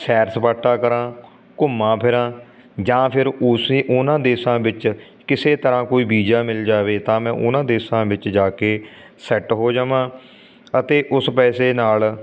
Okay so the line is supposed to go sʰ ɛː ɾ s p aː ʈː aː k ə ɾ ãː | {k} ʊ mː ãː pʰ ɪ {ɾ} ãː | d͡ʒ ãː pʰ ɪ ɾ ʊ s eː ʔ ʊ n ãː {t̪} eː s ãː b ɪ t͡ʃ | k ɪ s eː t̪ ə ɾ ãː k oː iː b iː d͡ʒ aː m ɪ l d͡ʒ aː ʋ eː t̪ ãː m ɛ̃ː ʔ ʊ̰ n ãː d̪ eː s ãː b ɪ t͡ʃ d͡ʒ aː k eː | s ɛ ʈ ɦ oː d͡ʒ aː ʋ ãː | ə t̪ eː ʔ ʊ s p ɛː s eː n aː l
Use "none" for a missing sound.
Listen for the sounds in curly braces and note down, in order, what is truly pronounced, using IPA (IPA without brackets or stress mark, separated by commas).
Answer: k, ɾ, d̪